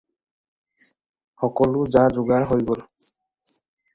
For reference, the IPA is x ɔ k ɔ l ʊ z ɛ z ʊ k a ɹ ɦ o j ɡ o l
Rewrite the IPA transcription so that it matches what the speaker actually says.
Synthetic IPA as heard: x ɔ k ɔ l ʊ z a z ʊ ɡ a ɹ ɦ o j ɡ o l